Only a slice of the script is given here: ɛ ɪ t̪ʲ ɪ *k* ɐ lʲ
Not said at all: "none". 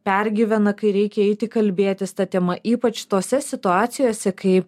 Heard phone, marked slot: k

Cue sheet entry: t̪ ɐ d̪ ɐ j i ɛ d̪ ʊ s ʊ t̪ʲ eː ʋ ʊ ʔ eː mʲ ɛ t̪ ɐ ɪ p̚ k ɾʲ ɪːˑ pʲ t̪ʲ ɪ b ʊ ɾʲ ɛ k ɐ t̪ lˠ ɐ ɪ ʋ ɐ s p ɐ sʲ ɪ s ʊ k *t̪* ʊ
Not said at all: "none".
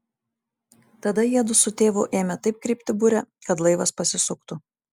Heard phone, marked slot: t̪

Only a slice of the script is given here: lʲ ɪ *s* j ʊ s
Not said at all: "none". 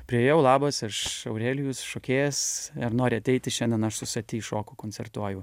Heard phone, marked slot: none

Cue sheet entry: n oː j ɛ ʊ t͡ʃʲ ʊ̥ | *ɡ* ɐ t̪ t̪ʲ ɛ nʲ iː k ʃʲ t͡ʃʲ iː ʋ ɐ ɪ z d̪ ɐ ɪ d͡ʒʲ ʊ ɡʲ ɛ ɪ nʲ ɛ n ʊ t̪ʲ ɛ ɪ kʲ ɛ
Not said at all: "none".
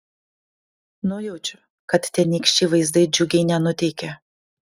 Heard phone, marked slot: k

